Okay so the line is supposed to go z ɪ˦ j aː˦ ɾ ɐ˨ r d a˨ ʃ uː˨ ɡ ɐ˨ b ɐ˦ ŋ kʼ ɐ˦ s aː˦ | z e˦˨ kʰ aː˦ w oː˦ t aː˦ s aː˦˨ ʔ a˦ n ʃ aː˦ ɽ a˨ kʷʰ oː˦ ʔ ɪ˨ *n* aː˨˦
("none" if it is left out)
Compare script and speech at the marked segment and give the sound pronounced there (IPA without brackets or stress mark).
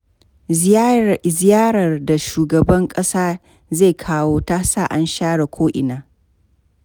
n